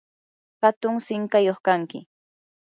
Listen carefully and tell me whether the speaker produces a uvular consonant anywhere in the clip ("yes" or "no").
yes